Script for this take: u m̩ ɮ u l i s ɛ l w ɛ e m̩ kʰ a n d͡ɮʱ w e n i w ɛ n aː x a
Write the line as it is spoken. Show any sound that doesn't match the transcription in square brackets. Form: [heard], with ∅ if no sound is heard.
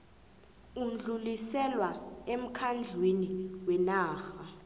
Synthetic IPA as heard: u m̩ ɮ u l i s ɛ l w [a] e m̩ kʰ a n d͡ɮʱ w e n i w ɛ n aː x a